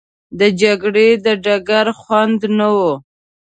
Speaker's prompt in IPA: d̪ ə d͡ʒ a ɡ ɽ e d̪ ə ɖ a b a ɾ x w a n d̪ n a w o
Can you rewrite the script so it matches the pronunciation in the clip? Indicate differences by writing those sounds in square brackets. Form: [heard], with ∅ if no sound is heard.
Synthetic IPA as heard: d̪ ə d͡ʒ a ɡ ɽ e d̪ ə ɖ a [ɡ] a ɾ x w a n d̪ n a w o